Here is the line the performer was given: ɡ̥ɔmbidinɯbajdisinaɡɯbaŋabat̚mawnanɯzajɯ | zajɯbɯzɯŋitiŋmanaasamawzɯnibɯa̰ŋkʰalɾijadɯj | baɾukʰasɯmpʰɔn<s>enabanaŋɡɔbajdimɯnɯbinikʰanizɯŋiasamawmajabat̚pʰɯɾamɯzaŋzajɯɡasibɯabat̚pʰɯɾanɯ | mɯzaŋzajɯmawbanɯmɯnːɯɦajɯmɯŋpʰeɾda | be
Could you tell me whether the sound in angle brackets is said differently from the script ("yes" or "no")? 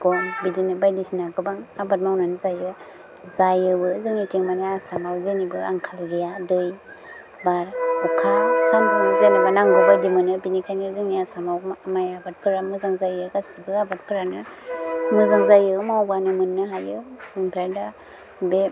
yes